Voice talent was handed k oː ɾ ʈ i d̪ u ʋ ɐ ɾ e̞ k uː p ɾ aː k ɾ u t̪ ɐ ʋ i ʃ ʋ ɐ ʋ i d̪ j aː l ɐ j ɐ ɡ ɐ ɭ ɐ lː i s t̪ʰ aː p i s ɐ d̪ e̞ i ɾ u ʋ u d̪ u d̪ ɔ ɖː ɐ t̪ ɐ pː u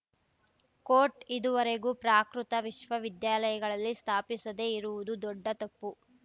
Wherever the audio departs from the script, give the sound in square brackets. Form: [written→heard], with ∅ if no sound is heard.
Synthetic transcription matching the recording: k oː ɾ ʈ i d̪ u ʋ ɐ ɾ e̞ [k→ɡ] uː p ɾ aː k ɾ u t̪ ɐ ʋ i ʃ ʋ ɐ ʋ i d̪ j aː l ɐ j ɐ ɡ ɐ ɭ ɐ lː i s t̪ʰ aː p i s ɐ d̪ e̞ i ɾ u ʋ u d̪ u d̪ ɔ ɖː ɐ t̪ ɐ pː u